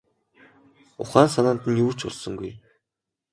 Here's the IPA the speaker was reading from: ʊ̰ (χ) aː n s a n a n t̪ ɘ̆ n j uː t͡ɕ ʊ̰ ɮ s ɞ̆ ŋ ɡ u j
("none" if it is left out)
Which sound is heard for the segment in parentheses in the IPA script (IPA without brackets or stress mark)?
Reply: χ